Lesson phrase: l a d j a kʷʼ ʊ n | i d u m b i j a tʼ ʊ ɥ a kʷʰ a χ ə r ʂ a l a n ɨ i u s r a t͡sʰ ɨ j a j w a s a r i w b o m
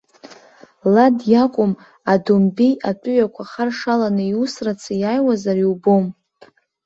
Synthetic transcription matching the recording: l a d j a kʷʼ ʊ m | a d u m b i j a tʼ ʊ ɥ a kʷʰ a χ a r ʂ a l a n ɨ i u s r a t͡sʰ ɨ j a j w a z a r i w b o m